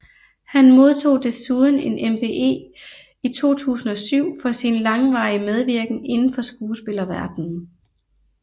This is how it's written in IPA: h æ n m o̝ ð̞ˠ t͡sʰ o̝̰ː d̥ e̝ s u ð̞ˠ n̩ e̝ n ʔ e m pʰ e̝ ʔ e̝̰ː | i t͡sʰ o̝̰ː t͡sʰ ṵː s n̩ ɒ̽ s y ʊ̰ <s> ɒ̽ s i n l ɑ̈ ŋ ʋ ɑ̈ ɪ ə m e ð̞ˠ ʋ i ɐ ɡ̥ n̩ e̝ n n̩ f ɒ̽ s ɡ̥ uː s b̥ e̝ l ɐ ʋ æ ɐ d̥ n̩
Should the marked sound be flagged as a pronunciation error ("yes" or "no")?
yes